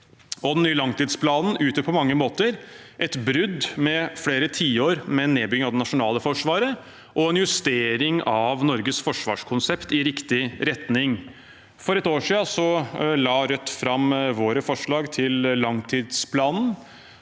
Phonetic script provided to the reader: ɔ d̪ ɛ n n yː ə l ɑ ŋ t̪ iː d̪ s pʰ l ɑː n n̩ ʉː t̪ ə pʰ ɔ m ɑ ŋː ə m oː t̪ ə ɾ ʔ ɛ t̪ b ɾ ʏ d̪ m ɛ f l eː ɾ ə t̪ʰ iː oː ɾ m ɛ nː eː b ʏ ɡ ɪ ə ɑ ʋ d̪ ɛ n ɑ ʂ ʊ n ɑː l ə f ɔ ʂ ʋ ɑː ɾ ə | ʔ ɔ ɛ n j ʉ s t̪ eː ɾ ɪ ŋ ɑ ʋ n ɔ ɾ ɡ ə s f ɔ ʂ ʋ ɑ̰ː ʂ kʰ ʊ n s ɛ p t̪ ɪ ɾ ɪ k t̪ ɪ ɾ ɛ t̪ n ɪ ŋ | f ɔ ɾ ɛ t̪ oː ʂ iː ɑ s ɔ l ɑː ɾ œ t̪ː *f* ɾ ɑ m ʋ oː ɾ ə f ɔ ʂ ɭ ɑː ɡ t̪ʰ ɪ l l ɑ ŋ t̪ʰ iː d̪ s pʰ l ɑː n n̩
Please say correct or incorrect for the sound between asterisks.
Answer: correct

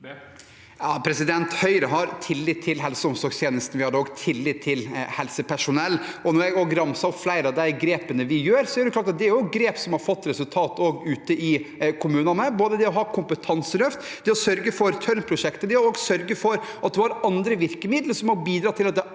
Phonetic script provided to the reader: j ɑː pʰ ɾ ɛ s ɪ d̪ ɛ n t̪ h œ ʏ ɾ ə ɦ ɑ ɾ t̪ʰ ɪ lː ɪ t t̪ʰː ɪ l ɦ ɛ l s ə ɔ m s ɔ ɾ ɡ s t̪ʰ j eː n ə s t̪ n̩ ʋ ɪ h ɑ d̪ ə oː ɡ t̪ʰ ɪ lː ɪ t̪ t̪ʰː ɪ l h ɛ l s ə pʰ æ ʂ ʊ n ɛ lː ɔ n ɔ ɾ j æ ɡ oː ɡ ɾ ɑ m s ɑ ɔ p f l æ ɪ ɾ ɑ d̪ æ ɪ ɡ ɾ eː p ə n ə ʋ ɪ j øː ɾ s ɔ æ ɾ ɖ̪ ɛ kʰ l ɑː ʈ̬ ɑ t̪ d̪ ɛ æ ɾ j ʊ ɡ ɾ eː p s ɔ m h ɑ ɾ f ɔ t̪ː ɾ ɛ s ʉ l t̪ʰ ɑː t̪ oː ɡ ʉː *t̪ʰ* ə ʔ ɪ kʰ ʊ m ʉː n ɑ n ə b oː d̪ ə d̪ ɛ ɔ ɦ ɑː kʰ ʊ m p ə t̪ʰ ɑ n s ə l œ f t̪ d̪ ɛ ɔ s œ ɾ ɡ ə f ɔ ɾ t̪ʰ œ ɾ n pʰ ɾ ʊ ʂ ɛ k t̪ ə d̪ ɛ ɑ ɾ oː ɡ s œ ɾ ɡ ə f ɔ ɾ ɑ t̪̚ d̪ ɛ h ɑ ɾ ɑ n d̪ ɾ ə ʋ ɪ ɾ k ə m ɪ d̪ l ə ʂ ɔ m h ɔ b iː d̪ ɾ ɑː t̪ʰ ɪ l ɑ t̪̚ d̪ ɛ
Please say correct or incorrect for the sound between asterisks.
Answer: incorrect: t̪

